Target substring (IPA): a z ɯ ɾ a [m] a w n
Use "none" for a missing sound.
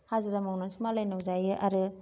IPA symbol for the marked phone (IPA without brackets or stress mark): m